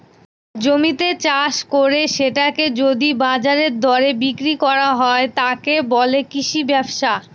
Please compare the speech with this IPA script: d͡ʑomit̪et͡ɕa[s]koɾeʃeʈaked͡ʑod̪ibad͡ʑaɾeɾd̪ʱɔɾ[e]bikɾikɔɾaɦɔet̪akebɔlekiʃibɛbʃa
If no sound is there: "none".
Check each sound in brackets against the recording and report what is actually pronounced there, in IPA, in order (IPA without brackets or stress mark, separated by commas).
ʃ, e